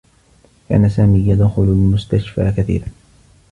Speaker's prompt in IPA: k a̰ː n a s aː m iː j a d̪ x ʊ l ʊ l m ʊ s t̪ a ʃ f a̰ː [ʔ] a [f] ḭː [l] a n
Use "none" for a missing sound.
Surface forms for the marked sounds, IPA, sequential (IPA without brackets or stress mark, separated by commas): k, θ, ɾ